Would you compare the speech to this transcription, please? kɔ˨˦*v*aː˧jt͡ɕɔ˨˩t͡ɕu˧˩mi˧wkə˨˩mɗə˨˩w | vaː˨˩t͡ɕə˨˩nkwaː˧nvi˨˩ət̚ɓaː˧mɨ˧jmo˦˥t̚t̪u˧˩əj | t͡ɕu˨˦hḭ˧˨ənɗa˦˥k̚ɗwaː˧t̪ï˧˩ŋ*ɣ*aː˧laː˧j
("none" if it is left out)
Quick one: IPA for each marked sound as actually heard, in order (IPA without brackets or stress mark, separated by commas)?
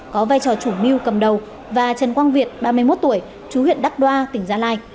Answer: v, z